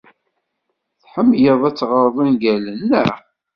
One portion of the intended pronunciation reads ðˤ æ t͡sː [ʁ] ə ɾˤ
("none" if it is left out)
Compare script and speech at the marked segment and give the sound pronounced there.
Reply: ʁ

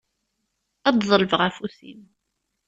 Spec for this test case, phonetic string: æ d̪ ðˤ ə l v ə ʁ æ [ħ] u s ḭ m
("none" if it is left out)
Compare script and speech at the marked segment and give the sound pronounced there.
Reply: f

